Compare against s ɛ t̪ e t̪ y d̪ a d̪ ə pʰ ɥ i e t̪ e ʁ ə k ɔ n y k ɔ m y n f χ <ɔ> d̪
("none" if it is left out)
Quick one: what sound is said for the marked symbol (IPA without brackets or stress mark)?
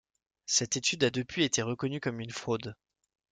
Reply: o